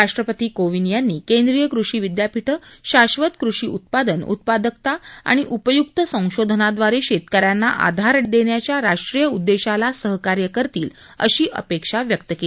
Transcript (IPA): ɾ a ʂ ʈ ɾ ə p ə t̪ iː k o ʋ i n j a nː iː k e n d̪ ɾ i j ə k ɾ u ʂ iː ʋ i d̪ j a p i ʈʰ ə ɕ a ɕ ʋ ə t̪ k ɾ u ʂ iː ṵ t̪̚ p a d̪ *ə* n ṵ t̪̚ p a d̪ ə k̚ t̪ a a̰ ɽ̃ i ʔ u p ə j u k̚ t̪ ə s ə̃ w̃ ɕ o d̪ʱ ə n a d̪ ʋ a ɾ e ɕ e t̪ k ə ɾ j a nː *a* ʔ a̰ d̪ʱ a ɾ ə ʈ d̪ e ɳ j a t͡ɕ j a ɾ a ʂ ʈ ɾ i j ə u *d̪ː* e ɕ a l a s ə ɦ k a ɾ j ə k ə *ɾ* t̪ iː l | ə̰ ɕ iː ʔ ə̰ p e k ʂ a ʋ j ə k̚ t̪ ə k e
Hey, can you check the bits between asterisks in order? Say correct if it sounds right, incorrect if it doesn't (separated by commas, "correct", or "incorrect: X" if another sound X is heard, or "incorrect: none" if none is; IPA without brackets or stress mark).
correct, correct, correct, correct